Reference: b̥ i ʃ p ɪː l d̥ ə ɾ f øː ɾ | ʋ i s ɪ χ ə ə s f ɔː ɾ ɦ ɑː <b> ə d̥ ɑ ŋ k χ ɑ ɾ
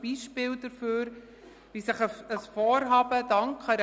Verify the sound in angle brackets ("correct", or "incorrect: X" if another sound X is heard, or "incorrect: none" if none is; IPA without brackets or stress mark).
correct